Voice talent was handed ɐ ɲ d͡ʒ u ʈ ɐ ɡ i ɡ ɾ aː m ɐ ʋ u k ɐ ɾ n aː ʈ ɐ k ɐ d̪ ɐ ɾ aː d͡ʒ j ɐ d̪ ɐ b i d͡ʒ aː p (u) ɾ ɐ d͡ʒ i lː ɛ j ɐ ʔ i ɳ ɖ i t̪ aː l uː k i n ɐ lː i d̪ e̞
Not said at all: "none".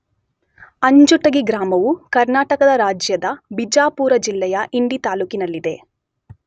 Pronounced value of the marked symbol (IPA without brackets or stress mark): uː